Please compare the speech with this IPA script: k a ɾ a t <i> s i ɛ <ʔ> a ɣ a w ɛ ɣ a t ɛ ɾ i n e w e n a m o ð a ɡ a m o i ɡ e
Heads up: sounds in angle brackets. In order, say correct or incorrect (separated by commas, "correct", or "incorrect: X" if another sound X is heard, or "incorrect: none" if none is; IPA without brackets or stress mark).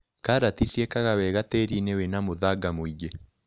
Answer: correct, incorrect: k